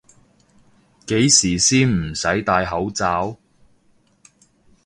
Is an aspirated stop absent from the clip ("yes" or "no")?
yes